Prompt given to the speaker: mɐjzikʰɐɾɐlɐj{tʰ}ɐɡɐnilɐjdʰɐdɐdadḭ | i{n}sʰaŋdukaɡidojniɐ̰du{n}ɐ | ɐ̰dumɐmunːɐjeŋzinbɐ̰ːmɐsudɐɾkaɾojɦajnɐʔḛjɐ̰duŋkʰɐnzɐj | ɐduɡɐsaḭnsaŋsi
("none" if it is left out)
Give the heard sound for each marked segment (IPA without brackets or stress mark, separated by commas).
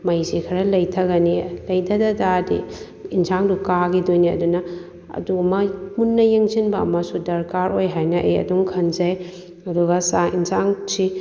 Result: tʰ, n, n